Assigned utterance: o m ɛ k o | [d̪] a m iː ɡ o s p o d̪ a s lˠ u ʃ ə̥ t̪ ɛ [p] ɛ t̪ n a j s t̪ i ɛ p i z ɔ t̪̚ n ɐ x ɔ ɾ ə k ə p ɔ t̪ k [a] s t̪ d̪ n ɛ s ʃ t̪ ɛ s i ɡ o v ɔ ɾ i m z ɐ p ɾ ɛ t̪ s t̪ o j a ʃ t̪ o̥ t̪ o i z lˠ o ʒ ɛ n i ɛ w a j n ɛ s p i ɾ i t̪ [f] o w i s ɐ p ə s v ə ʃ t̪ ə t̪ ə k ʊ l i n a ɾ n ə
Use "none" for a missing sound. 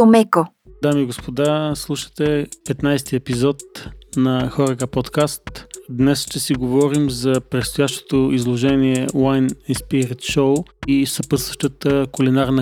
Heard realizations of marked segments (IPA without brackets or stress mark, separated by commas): d̪, p, a, ʃ